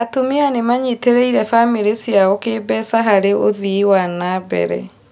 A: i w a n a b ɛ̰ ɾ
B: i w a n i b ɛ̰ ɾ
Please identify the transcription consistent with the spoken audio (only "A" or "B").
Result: A